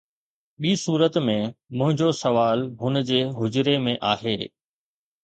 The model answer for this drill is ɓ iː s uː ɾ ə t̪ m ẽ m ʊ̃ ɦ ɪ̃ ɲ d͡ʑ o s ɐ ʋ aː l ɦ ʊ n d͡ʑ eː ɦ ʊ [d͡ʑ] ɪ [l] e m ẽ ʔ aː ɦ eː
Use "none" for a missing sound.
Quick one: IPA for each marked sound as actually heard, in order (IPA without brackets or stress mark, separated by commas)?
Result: d͡ʑ, ɾ